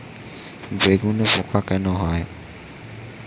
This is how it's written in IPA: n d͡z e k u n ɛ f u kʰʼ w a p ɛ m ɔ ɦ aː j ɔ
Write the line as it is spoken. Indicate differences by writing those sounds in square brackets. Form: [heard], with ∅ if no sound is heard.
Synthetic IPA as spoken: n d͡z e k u n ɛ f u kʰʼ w a [k] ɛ [n] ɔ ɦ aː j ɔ